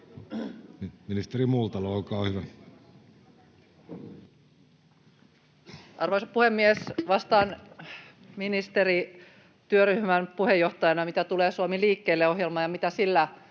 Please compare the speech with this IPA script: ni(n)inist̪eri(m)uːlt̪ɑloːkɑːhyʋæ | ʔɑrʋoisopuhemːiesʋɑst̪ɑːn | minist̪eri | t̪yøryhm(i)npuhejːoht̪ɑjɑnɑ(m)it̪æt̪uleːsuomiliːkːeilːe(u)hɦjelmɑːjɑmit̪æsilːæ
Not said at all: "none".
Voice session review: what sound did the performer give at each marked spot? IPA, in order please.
m, m, æ, m, o

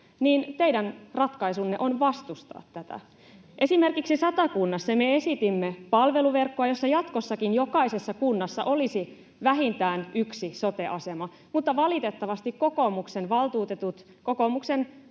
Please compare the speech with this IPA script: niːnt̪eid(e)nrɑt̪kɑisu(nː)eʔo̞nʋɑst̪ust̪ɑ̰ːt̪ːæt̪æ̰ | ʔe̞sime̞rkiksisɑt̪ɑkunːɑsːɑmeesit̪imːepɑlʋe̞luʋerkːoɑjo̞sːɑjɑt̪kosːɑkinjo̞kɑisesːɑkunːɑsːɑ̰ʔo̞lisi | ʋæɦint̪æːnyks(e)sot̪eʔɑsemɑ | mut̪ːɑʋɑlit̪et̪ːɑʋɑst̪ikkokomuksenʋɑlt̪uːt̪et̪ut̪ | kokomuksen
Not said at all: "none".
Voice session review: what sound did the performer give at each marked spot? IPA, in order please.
æ, nː, i

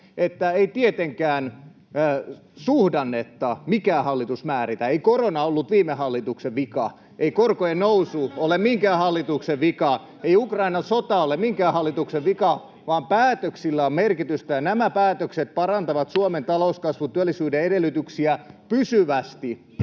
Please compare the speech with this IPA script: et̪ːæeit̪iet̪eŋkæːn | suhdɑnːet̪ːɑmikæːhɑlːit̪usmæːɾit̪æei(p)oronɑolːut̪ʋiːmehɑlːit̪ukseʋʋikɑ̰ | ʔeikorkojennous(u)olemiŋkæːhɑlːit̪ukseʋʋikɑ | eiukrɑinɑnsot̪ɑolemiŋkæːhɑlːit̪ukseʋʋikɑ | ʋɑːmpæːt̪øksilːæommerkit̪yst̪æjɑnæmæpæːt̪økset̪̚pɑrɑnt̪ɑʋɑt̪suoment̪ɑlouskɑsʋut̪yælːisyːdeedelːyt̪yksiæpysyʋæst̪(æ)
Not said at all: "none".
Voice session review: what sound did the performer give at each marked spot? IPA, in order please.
k, u, i

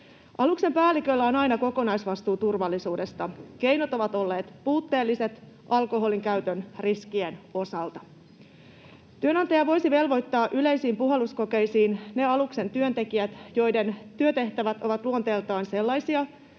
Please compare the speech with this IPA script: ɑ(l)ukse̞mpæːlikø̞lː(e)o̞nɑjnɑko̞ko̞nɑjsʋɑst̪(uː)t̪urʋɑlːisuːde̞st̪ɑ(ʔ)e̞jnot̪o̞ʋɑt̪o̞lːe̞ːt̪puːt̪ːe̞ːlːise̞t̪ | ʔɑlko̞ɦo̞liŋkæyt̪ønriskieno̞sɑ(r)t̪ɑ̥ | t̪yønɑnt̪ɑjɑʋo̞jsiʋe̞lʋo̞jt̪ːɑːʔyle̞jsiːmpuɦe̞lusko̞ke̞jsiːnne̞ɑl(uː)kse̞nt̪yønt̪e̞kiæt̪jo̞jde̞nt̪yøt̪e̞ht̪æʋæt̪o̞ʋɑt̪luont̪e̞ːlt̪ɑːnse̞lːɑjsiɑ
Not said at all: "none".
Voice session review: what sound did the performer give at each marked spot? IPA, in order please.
l, æ, uː, k, l, u

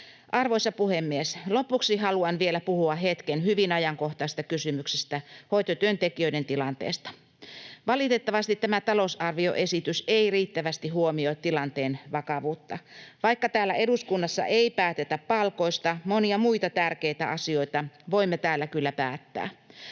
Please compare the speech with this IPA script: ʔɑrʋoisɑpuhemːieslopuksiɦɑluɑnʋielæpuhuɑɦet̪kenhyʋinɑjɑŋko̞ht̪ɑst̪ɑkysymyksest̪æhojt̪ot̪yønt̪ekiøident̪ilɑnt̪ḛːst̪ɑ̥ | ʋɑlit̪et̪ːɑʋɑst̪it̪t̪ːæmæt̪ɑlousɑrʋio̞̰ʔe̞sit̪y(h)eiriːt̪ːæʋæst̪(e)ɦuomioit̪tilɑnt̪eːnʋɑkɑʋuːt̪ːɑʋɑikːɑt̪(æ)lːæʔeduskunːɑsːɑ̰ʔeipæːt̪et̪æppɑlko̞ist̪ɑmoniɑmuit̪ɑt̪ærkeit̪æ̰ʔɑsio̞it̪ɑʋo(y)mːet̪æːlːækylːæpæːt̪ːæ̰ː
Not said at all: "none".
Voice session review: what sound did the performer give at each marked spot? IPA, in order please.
s, i, æː, i

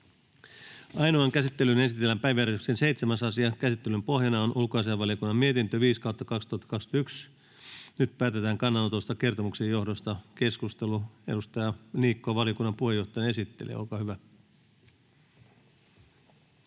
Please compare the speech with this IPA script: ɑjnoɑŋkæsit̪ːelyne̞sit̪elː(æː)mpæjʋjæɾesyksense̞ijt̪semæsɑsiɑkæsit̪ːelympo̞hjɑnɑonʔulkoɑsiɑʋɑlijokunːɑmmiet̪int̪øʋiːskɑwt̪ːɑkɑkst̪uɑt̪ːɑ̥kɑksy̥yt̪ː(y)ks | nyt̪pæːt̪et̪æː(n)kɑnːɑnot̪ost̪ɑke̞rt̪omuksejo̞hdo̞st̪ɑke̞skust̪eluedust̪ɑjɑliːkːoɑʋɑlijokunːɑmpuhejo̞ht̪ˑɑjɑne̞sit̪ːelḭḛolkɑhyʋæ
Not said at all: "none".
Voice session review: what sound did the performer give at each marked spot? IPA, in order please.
æ, y, ŋ

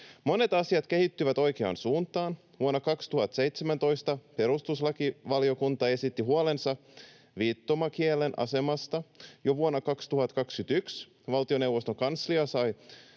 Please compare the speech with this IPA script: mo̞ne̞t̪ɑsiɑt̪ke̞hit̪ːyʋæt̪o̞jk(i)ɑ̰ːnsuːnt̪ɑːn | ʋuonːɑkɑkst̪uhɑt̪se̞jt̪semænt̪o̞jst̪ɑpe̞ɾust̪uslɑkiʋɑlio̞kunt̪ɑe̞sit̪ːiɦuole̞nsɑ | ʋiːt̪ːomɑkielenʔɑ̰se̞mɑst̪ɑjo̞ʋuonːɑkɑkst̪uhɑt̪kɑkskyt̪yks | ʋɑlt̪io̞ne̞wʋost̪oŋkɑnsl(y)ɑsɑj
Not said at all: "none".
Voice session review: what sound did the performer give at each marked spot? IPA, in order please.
e, i

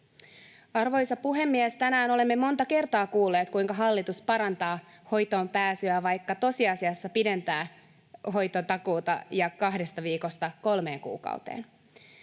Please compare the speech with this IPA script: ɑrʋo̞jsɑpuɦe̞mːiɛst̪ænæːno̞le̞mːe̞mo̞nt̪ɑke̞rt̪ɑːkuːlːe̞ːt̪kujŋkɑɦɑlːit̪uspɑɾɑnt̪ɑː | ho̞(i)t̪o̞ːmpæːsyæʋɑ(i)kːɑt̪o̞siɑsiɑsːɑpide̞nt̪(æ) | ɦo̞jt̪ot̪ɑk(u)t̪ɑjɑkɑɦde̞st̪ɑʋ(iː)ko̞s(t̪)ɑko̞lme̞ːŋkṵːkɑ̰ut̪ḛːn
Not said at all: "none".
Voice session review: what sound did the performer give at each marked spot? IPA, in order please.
j, j, æː, uː, iː, t̪

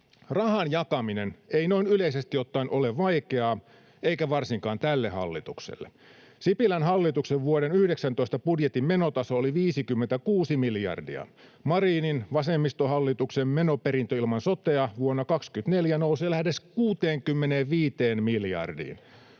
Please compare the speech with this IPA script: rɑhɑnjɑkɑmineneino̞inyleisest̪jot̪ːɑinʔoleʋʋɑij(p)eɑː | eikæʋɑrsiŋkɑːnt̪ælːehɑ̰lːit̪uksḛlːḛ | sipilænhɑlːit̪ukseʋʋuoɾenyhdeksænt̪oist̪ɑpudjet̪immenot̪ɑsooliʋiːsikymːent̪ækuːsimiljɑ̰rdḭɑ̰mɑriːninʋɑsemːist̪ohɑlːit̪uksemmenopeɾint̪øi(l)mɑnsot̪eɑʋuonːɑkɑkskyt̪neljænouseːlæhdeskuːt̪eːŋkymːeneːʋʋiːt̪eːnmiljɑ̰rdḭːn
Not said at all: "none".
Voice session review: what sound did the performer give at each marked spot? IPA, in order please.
k, l

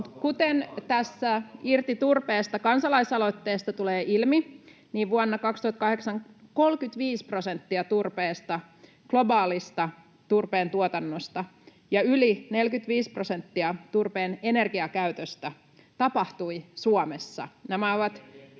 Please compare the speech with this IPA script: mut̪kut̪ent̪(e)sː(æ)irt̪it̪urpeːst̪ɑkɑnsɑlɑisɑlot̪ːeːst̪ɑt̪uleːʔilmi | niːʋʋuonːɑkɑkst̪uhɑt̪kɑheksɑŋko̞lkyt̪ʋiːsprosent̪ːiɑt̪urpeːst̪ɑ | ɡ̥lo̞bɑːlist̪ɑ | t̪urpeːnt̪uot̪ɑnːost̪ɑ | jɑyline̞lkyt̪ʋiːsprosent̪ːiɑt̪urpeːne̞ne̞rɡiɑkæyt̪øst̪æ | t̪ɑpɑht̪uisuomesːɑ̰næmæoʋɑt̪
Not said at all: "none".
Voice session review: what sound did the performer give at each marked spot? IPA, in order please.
æ, æ

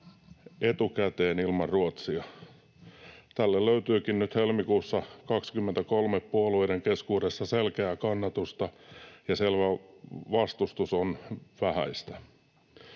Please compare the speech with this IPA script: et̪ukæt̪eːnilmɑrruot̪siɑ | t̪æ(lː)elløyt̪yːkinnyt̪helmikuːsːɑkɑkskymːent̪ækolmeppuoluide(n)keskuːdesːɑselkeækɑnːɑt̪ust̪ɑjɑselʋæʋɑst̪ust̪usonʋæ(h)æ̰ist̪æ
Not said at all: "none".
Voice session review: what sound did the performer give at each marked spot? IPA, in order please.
lː, ŋ, h

